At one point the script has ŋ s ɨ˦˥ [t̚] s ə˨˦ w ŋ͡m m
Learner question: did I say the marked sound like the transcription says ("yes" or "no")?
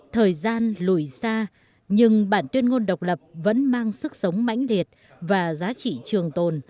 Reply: no